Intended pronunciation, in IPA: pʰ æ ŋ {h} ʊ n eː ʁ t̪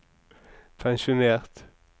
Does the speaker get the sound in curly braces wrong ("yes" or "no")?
yes